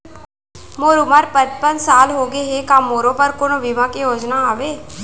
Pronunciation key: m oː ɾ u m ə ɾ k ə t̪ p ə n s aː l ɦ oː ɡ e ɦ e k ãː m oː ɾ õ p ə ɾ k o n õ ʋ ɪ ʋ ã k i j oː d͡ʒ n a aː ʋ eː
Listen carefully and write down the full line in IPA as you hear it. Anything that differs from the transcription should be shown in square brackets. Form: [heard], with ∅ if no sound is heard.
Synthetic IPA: m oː ɾ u m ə ɾ [p] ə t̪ p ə n s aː l ɦ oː ɡ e ɦ e k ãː m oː ɾ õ p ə ɾ k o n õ ʋ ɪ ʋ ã k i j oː d͡ʒ n a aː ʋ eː